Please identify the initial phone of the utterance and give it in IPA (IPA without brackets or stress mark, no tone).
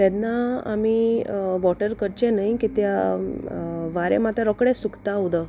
t̪